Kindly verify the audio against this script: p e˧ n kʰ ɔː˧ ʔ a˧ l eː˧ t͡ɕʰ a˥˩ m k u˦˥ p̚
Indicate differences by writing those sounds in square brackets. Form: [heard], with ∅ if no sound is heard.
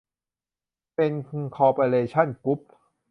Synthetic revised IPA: p e˧ n kʰ ɔː˧ [p] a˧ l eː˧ t͡ɕʰ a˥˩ [n] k u˦˥ p̚